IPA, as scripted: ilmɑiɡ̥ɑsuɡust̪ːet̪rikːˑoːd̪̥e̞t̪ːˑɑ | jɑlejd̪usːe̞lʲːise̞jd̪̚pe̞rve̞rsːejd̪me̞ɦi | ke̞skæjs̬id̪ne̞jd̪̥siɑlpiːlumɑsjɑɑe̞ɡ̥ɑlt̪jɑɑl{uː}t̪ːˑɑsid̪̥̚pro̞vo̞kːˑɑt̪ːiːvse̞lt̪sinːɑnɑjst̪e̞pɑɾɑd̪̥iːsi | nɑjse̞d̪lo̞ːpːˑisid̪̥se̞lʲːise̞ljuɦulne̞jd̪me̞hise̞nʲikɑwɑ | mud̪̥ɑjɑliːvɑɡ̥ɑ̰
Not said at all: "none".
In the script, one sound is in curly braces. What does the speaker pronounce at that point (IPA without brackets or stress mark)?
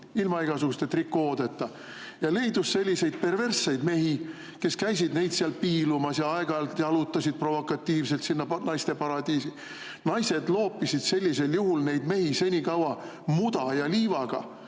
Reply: u